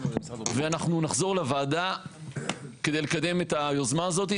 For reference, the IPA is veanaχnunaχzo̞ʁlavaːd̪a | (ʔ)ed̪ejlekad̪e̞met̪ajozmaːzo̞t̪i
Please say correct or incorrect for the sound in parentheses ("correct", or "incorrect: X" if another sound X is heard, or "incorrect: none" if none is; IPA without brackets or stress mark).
incorrect: k